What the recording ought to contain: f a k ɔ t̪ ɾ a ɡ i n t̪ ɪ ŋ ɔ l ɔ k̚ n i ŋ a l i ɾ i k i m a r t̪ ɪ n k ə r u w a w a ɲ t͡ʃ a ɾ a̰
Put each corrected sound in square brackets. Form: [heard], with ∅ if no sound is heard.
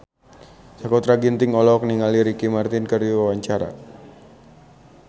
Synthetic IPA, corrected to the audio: [s] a k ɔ t̪ ɾ a ɡ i n t̪ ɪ ŋ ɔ l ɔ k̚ n i ŋ a l i ɾ i k i m a r t̪ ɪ n k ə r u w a w a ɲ t͡ʃ a ɾ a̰